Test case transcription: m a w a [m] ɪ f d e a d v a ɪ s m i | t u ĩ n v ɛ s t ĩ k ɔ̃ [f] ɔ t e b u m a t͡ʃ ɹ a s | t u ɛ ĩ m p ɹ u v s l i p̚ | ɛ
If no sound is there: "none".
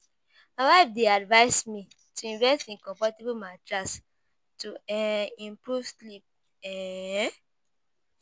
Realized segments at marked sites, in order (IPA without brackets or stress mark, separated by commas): none, f